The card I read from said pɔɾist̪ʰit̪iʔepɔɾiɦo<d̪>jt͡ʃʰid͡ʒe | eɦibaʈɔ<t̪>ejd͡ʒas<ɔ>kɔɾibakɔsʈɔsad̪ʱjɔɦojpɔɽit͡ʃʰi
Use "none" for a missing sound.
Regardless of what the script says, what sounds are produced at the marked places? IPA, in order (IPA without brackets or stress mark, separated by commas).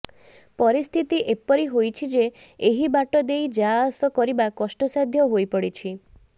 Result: none, d̪, ɔ